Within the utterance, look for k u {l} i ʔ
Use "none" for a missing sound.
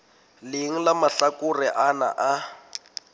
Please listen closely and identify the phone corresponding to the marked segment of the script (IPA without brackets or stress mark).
r